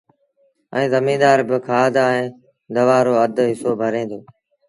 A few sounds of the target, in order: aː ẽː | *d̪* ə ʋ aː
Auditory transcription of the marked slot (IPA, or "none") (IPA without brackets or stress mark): d̪